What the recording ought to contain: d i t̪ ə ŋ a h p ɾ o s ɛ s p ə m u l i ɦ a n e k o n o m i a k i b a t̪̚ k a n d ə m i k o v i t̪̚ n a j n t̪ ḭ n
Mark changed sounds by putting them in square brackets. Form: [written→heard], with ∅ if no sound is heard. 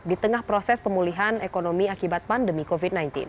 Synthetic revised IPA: d i t̪ ə ŋ a h p ɾ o s ɛ s p ə m u l i ɦ a n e k o n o m i a k i b a t̪̚ [k→p] a n d ə m i k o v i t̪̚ n a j n t̪ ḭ n